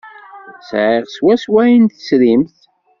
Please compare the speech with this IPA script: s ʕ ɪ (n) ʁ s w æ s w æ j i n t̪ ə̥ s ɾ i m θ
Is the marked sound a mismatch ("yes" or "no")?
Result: yes